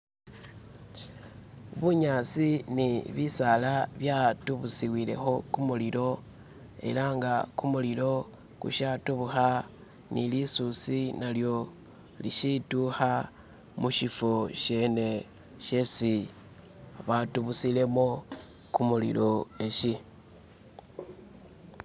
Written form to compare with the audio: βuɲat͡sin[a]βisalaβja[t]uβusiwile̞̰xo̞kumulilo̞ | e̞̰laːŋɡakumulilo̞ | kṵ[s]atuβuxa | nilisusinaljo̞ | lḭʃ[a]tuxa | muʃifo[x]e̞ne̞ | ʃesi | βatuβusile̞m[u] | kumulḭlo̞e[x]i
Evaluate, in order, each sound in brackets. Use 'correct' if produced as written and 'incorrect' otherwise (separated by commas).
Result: incorrect, correct, incorrect, incorrect, incorrect, incorrect, incorrect